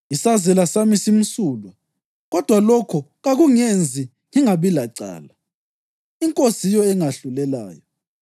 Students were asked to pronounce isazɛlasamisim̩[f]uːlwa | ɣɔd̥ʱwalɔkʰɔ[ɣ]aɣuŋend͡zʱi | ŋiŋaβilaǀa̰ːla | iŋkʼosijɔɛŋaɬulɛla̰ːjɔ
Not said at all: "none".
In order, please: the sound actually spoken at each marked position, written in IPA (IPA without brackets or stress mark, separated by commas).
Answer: s, ɣ